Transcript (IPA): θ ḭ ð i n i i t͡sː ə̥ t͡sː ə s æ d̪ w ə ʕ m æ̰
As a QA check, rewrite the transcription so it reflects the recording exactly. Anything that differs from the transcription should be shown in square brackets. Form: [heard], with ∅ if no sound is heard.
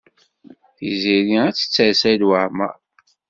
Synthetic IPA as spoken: θ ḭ [z] i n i [æ] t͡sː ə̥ t͡sː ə s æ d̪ w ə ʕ m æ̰